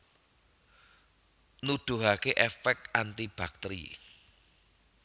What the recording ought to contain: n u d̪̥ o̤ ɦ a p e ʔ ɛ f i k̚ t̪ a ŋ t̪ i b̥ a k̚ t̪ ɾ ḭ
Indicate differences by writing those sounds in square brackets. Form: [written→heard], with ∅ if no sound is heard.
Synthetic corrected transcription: n u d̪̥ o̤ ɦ a [p→k] e ʔ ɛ f [i→ɛ] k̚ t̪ a [ŋ→n] t̪ i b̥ a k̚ t̪ ɾ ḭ